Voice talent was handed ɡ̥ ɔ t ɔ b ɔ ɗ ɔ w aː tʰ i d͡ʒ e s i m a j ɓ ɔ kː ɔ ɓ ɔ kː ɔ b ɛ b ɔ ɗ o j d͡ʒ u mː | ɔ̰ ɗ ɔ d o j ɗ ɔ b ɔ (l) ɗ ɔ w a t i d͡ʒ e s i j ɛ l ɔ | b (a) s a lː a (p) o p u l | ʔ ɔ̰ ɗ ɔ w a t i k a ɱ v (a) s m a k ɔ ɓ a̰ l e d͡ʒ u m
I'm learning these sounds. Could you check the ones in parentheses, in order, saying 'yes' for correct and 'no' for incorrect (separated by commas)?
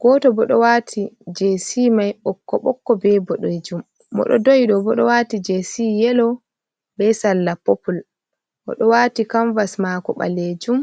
no, no, yes, yes